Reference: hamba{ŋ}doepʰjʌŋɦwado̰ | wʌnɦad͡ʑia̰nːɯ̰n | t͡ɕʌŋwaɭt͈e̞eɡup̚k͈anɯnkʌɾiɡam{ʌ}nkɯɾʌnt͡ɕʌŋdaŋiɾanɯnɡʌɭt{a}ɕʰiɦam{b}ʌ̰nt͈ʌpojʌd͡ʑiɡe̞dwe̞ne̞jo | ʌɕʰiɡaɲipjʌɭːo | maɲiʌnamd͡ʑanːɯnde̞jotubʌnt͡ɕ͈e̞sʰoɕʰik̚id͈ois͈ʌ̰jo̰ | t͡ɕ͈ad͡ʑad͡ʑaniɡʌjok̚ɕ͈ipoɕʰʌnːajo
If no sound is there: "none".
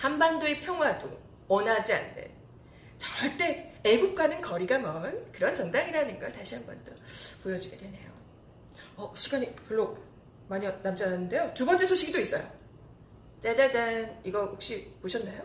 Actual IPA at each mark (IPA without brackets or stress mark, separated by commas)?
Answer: n, ʌ, a, b